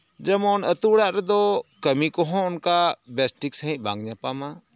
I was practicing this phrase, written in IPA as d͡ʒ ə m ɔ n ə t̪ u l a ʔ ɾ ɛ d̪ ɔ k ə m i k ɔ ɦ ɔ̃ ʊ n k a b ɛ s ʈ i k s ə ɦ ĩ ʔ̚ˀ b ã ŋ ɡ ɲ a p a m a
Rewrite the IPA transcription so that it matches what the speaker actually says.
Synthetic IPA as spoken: d͡ʒ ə m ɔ n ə t̪ u ɽ a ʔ ɾ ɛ d̪ ɔ k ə m i k ɔ ɦ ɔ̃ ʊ n k a b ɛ s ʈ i k s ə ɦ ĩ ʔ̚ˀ b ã ŋ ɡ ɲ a p a m a